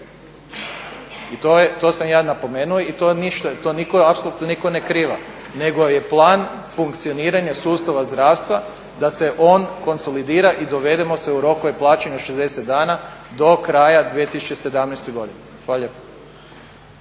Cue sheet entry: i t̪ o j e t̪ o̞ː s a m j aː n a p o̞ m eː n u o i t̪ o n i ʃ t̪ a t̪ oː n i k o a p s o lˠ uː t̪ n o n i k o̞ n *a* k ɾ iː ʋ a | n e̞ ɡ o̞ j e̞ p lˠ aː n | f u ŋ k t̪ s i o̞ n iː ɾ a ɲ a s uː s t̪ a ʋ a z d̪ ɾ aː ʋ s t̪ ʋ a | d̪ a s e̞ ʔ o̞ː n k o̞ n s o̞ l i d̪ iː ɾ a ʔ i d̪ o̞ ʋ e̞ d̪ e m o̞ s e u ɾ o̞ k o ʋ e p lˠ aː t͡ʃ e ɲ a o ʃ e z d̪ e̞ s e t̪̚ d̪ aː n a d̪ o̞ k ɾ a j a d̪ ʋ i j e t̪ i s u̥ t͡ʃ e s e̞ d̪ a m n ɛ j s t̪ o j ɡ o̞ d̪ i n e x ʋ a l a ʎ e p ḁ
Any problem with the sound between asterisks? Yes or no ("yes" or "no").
yes